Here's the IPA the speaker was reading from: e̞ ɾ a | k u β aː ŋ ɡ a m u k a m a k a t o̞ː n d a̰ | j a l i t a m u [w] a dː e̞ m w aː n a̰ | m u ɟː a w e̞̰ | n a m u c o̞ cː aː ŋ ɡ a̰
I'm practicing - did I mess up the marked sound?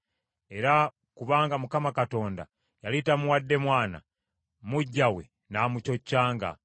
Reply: no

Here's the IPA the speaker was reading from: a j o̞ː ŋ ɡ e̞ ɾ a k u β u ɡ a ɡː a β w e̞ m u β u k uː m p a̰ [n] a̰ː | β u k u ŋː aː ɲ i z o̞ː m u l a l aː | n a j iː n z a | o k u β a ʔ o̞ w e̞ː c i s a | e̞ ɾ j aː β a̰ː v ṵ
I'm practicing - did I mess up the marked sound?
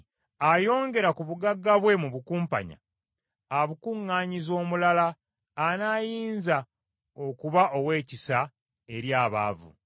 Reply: yes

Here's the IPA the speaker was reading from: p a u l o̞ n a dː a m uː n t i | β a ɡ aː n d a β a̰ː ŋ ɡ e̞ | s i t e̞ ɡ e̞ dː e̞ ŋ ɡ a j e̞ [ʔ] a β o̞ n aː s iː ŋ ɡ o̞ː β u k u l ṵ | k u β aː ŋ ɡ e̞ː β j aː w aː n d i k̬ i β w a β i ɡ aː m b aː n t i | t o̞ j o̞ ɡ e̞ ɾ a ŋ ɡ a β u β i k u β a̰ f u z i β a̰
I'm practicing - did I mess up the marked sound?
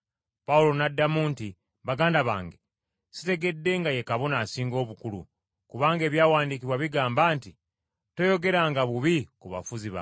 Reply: yes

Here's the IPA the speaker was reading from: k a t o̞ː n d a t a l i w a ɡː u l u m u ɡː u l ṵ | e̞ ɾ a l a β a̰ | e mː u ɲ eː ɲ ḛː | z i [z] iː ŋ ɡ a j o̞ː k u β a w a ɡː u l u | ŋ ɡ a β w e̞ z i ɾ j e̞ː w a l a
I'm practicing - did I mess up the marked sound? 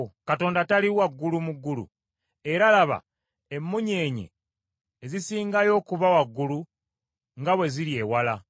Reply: yes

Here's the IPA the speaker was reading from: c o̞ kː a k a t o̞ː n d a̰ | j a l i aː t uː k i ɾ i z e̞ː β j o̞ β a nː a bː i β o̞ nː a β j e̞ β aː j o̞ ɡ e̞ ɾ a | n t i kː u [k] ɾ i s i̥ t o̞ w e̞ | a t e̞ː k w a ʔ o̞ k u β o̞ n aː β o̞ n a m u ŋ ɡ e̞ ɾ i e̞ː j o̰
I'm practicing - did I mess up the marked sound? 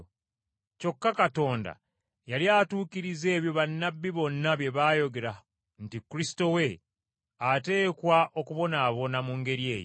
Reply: yes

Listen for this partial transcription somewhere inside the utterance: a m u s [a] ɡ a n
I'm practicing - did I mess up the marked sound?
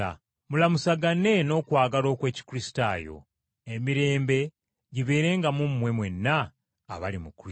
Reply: no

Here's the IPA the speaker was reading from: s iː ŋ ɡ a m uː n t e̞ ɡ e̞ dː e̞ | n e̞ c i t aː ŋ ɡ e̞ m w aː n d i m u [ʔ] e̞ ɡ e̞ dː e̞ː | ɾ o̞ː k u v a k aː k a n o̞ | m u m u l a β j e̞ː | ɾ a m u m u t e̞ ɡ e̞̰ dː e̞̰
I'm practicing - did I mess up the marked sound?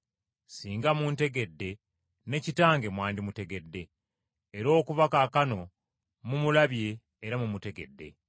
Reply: yes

